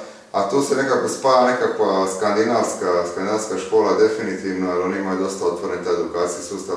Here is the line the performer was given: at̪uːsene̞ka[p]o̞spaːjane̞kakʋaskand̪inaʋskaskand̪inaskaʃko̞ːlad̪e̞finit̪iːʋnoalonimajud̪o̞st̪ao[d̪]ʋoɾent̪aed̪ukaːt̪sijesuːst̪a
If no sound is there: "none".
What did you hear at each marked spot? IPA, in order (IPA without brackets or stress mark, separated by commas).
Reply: k, t̪